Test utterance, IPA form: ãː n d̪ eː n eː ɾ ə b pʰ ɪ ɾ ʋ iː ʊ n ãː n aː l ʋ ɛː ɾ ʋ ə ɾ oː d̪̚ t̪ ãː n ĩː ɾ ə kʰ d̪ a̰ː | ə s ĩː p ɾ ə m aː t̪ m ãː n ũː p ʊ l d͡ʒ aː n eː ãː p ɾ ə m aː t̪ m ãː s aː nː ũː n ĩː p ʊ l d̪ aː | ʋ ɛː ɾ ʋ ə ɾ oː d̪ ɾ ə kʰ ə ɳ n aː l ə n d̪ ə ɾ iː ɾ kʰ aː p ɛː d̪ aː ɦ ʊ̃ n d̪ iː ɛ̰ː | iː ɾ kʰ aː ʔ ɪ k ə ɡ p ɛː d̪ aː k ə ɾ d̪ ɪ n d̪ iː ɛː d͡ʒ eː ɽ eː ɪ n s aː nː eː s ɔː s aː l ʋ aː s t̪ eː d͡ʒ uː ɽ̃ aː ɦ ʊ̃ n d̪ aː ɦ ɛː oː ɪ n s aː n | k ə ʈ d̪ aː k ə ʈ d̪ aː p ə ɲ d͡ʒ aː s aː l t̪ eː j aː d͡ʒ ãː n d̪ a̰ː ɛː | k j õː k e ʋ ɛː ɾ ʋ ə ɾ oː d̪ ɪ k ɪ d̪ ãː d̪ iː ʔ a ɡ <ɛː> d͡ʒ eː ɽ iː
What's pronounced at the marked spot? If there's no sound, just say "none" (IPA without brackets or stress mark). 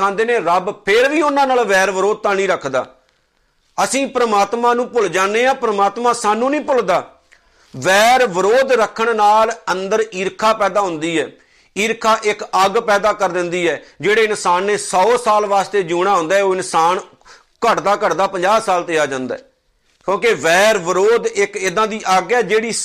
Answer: ɛː